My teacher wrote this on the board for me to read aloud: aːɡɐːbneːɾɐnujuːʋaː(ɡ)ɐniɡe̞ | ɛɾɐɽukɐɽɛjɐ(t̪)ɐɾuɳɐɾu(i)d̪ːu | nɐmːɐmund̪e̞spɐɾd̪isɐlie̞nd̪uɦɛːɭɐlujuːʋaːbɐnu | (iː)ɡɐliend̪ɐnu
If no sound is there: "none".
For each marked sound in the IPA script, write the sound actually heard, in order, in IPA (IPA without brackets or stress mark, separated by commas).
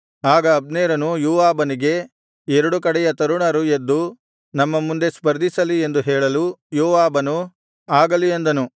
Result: b, t̪, e, aː